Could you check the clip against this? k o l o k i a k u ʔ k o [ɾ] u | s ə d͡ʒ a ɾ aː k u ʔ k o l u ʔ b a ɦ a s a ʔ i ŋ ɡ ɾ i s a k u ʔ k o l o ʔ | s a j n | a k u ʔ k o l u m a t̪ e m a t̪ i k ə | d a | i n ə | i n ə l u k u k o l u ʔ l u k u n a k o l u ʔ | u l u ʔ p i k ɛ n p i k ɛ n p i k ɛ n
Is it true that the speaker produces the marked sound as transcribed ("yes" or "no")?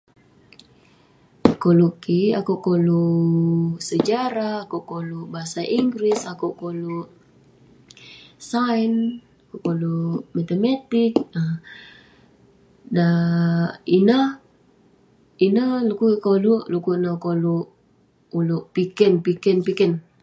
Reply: no